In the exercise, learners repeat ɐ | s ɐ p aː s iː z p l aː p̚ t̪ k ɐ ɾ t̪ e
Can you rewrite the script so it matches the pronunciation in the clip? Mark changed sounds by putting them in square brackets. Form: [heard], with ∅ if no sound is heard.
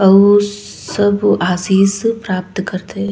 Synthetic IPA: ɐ | s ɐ [b] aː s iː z p [ɾ] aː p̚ t̪ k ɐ ɾ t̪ e